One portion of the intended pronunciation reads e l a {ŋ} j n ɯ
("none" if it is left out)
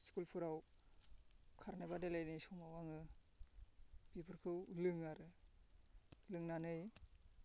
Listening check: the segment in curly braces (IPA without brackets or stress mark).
none